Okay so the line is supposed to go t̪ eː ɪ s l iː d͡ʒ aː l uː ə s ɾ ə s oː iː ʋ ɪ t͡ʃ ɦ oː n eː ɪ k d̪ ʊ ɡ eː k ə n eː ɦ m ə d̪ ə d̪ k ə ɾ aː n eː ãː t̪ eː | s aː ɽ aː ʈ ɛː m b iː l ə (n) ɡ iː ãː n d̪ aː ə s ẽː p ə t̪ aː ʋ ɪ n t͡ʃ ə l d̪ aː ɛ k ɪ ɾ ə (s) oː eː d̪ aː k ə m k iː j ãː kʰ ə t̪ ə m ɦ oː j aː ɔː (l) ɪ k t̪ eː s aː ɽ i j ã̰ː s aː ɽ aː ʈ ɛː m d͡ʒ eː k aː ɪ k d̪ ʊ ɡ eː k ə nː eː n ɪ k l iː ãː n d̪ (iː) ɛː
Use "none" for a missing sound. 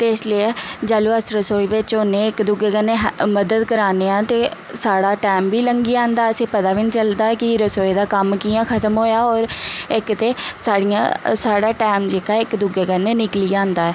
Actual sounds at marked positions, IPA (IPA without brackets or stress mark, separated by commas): ŋ, s, ɾ, aː